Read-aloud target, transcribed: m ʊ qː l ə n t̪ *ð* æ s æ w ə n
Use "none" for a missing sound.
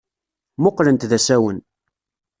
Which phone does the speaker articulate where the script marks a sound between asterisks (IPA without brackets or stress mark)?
ð